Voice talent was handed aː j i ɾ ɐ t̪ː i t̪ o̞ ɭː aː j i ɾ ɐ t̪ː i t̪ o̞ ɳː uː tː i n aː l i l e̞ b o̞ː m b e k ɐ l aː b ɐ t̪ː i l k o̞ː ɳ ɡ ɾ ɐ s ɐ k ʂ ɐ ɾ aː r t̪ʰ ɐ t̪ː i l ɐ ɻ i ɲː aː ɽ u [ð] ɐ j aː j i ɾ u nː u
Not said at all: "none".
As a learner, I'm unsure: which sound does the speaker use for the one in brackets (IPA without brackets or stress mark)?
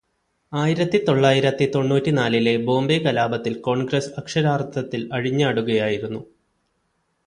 ɣ